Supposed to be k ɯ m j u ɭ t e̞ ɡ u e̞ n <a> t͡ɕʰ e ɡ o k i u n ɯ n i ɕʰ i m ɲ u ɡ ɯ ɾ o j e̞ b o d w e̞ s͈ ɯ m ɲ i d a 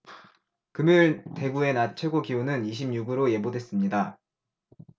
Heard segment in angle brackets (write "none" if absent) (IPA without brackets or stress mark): a